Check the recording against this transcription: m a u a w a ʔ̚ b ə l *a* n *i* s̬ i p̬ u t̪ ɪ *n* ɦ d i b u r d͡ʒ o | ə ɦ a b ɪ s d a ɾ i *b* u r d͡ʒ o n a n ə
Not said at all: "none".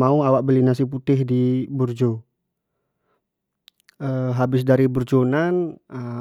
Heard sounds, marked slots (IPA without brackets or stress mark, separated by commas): i, a, none, b